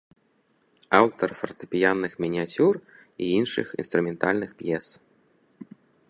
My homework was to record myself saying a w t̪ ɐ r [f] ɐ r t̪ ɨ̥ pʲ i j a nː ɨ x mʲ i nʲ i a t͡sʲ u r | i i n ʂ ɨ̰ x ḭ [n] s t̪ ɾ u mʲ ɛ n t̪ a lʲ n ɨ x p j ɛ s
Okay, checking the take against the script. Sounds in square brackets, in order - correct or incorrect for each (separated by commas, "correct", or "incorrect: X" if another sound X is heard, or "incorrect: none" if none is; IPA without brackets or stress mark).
correct, correct